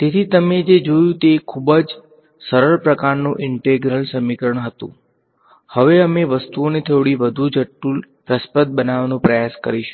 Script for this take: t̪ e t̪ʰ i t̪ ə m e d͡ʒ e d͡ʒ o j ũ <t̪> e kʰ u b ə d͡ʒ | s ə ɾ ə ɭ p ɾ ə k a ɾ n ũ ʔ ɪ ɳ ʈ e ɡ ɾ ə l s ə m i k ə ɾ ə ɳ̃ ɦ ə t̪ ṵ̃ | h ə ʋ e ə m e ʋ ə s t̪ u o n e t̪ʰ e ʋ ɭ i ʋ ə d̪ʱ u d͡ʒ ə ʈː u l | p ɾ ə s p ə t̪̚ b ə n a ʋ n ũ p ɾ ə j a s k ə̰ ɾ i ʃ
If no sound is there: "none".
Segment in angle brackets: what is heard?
t̪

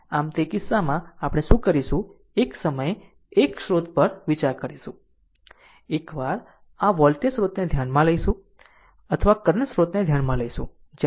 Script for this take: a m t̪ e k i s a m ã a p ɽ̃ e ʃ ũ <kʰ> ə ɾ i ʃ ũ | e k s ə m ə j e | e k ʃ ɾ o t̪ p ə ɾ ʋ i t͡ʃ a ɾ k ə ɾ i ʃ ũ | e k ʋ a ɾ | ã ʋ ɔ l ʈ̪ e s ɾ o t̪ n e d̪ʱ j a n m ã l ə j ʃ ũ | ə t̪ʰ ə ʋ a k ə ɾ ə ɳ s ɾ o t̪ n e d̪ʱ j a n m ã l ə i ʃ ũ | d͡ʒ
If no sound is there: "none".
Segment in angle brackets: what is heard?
k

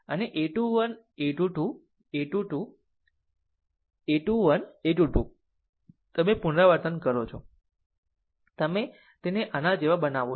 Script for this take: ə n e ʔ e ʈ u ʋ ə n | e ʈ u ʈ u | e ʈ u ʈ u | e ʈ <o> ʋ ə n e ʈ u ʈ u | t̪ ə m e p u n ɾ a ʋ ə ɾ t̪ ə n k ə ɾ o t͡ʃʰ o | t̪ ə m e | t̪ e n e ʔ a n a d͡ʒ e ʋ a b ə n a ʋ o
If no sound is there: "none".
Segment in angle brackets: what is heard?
u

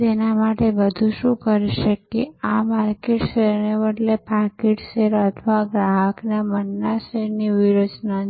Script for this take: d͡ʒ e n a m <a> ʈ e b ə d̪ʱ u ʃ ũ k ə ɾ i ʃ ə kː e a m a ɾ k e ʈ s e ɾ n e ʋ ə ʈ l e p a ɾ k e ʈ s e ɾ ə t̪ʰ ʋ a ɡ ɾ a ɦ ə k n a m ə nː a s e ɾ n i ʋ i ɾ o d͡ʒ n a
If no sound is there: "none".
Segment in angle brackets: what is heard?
a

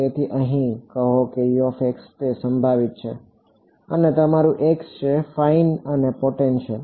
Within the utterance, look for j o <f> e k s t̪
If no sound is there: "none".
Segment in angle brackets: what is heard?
f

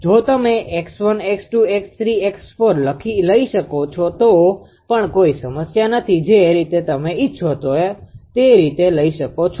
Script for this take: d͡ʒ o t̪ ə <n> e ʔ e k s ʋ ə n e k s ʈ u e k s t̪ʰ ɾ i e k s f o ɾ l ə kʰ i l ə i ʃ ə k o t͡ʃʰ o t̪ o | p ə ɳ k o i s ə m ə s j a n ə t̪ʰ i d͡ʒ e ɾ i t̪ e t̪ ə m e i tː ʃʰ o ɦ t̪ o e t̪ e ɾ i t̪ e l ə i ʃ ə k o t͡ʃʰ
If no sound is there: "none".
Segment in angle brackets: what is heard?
m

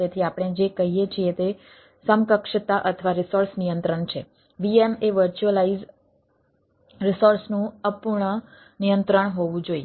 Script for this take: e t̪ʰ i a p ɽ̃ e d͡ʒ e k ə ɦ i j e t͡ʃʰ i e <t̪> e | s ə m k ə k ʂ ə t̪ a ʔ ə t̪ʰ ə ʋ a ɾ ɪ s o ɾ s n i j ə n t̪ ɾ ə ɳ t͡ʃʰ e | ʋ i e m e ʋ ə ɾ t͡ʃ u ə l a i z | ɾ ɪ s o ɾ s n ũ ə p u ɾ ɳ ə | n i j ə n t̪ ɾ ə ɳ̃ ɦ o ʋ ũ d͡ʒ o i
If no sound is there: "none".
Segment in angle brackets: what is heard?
t̪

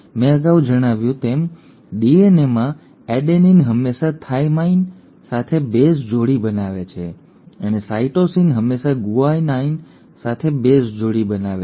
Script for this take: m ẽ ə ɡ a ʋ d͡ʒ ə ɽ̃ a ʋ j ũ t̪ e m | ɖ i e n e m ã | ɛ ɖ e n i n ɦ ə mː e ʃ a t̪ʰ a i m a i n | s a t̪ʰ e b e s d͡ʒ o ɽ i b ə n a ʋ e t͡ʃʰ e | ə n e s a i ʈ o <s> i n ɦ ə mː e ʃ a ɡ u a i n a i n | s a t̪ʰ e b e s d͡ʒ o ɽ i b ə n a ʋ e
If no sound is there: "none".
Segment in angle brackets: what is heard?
s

